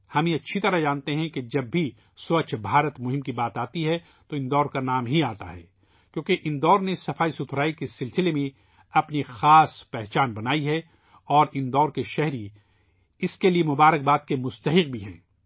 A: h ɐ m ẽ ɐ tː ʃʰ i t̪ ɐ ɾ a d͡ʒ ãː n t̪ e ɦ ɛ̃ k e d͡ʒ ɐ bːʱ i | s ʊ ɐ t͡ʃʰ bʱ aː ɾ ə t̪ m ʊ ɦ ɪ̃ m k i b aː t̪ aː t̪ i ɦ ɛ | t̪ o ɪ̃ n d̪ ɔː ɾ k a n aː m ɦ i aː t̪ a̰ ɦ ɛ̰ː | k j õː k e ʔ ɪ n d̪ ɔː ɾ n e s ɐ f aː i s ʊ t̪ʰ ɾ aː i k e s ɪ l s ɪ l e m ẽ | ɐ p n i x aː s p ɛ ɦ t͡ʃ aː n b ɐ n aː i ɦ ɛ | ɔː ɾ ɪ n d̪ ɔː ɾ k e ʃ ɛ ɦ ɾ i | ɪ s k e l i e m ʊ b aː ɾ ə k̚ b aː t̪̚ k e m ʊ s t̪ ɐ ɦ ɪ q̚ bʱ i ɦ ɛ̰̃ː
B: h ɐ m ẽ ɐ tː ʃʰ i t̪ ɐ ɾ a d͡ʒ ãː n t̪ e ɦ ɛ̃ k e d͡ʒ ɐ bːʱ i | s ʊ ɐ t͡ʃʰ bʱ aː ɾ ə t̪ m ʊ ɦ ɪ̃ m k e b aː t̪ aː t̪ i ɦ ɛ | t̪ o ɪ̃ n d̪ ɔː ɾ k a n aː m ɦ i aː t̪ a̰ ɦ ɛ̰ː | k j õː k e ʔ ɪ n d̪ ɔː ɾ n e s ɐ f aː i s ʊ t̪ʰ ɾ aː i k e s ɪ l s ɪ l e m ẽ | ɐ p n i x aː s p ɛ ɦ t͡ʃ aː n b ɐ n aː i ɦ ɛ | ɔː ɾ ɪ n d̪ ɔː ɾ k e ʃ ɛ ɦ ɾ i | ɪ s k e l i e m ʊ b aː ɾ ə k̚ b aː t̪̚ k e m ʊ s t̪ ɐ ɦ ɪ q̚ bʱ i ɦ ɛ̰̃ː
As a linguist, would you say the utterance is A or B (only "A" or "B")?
A